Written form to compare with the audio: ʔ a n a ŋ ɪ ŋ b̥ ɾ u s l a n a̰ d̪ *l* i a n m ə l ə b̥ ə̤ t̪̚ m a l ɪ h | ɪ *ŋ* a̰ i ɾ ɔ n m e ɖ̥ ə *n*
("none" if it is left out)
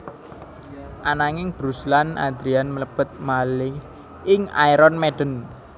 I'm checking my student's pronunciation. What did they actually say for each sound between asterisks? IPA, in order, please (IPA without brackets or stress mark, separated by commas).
ɾ, ŋ, n